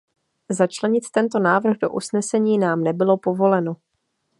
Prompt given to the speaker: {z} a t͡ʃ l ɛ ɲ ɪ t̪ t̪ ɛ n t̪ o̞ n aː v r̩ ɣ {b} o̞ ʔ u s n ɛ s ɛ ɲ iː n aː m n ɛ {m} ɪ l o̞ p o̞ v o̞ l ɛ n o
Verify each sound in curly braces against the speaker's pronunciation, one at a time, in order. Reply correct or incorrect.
correct, incorrect: d, incorrect: b

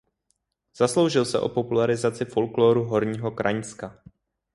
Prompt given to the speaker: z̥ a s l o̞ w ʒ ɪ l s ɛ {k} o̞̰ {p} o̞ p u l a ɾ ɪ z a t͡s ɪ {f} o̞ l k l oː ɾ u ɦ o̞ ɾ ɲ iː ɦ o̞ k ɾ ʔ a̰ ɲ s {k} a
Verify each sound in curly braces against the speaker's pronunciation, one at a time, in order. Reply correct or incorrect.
incorrect: ʔ, correct, correct, correct

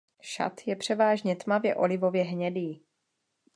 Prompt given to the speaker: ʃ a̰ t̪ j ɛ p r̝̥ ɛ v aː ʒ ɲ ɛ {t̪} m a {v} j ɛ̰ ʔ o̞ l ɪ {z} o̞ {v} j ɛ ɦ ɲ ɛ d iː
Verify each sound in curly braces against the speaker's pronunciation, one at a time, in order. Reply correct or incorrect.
correct, correct, incorrect: v, correct

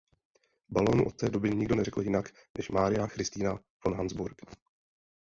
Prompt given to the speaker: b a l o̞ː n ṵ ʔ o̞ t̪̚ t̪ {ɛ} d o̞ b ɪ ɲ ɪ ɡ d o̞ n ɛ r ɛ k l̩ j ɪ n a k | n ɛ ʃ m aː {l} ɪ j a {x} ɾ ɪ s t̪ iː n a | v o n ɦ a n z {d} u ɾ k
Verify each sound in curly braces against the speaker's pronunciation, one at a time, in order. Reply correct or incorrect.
incorrect: ɛː, incorrect: ɾ, correct, incorrect: b

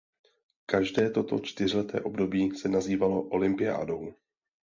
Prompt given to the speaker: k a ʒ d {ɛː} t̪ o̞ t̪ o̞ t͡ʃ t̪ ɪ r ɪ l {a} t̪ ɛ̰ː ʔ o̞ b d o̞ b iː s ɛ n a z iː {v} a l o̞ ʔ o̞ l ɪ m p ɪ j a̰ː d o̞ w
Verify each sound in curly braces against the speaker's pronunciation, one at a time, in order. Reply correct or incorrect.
correct, incorrect: ɛ, correct

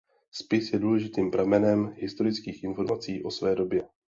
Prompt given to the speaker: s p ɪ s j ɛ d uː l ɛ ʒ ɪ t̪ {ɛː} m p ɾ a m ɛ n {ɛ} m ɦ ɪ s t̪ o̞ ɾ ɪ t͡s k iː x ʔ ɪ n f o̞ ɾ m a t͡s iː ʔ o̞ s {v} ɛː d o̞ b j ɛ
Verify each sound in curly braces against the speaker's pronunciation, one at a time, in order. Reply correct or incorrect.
incorrect: iː, correct, correct

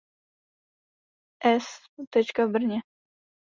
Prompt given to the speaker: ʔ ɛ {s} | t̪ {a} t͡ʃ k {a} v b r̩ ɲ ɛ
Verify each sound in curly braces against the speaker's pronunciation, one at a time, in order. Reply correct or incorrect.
correct, incorrect: ɛ, correct

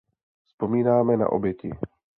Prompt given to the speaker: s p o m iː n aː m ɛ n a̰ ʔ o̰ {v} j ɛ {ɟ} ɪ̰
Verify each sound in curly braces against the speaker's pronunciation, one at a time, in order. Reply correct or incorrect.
incorrect: b, incorrect: c

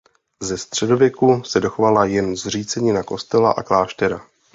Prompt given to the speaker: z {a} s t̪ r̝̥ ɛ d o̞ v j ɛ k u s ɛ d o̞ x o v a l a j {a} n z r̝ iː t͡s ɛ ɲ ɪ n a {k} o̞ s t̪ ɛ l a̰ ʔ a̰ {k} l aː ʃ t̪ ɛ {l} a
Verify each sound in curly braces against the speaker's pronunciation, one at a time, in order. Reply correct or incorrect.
incorrect: ɛ, incorrect: ɛ, correct, correct, incorrect: ɾ

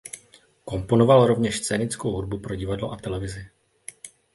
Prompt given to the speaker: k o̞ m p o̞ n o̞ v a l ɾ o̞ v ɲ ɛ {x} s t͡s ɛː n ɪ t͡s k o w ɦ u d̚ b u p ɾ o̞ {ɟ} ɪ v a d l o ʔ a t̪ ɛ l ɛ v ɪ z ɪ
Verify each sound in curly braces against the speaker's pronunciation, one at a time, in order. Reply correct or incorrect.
incorrect: ʃ, correct

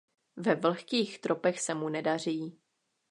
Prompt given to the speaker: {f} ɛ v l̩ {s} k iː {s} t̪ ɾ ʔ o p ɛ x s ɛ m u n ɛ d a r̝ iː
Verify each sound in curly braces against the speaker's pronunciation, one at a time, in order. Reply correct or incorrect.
incorrect: v, incorrect: x, incorrect: x

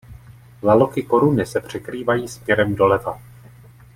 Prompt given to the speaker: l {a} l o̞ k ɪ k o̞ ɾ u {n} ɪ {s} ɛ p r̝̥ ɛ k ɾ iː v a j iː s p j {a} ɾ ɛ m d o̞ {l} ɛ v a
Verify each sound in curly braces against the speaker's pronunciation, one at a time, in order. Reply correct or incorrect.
correct, correct, correct, incorrect: ɛ, correct

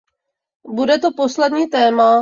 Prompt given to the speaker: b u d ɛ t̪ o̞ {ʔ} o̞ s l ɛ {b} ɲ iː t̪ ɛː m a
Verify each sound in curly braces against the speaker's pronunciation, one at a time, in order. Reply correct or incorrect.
incorrect: p, incorrect: d

